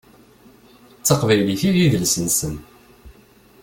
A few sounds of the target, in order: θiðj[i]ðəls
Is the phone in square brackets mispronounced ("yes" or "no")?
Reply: no